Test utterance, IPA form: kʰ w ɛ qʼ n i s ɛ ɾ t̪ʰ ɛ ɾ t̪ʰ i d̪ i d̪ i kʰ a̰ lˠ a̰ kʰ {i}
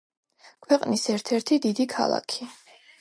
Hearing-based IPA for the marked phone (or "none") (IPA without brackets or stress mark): i